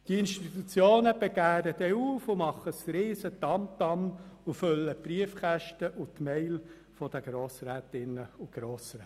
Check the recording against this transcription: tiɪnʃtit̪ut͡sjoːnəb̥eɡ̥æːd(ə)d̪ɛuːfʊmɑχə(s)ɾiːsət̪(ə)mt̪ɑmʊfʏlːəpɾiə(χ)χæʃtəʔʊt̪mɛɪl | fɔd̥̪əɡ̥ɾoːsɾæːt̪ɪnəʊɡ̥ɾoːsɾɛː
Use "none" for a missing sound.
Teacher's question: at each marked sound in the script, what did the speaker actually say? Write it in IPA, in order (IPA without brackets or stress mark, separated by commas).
ə, s, ɑ, f